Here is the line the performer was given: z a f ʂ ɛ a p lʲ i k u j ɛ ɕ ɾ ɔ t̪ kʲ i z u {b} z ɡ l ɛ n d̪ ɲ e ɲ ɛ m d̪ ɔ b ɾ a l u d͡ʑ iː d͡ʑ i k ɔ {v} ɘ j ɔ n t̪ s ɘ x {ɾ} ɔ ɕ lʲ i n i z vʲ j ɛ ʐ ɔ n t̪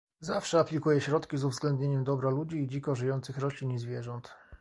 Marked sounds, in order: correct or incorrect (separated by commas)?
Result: incorrect, incorrect, correct